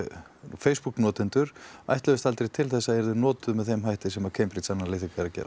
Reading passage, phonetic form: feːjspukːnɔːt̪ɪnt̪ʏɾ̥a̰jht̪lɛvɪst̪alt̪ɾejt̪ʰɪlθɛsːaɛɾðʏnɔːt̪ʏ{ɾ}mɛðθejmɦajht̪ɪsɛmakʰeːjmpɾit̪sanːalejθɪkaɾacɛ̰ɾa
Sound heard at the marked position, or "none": none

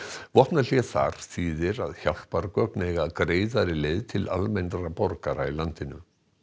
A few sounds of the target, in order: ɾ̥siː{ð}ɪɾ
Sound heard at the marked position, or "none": ð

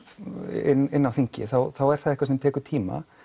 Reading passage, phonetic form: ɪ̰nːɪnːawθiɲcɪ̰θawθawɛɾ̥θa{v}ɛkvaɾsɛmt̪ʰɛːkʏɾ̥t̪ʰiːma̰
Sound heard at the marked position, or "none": ð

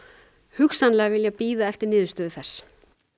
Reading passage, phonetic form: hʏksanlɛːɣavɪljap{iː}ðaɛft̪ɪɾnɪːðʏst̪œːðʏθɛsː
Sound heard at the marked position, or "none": iː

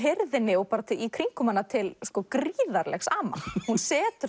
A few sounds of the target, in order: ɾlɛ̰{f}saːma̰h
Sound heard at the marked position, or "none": x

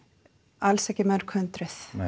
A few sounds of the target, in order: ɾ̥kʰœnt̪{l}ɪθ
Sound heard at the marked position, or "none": ɾ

